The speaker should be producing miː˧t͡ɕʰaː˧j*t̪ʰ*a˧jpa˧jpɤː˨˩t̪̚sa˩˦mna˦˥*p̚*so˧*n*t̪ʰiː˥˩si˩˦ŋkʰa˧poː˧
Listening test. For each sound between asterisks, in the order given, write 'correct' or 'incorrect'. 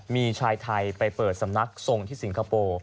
correct, incorrect: k̚, incorrect: ŋ

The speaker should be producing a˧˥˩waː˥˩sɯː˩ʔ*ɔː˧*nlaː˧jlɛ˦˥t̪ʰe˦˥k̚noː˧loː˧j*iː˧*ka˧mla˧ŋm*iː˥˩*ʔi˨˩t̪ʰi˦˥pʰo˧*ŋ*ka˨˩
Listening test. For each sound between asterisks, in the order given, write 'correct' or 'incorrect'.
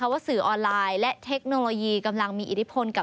correct, correct, incorrect: iː˧, incorrect: n

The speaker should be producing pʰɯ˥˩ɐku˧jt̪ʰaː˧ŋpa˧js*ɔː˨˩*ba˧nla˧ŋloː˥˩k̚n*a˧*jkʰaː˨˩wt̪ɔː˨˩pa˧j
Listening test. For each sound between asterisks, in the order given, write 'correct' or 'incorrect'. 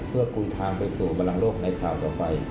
incorrect: uː˨˩, correct

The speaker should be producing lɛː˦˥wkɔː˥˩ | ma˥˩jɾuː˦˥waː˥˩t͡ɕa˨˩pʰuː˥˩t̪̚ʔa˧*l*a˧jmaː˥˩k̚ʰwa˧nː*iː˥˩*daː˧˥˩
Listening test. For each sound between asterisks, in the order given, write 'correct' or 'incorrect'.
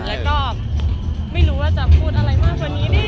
incorrect: ɾ, incorrect: iː˦˥

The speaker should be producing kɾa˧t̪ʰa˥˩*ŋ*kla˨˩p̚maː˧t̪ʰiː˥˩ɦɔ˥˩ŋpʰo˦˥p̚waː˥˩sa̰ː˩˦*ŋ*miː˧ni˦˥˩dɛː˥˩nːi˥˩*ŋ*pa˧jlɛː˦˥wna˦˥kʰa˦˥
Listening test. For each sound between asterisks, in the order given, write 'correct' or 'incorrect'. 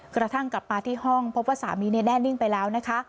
correct, incorrect: none, correct

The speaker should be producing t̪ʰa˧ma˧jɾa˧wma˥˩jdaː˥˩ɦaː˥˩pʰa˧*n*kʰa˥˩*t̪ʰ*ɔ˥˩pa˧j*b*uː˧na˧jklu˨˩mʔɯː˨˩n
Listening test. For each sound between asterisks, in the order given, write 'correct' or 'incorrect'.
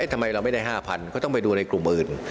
correct, incorrect: t̪, incorrect: d

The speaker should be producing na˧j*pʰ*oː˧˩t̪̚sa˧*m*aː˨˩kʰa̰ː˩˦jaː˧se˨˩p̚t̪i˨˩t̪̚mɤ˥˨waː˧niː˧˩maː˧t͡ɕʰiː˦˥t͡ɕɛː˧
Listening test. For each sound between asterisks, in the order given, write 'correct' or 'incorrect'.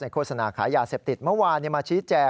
incorrect: kʰ, incorrect: n

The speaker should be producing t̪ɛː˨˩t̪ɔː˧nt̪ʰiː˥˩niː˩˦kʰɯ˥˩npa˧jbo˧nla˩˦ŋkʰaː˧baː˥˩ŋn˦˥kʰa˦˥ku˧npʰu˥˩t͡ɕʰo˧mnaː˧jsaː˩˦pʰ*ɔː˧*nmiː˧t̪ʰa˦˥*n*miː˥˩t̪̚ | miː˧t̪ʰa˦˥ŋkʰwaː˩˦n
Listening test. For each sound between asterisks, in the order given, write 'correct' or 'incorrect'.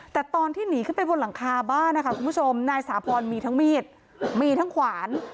correct, incorrect: ŋ

